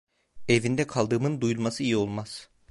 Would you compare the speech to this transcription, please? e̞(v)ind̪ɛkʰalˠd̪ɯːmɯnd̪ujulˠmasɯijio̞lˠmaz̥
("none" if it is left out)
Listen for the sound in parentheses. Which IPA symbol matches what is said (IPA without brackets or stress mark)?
v